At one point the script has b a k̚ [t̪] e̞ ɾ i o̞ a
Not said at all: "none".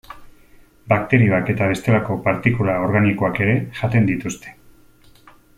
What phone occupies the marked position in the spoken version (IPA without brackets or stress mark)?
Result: t̪